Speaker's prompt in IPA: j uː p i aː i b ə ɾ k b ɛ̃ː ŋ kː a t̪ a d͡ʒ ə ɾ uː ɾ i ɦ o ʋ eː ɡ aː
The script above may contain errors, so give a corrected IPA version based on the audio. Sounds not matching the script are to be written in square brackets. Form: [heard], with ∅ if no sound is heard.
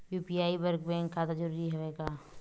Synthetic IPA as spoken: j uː p i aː i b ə ɾ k b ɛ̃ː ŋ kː a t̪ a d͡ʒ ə ɾ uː ɾ i ɦ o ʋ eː ɡ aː